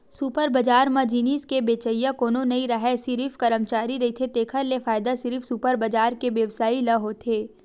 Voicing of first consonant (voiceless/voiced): voiceless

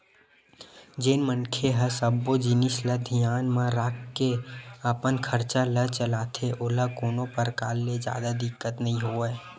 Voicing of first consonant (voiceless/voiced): voiced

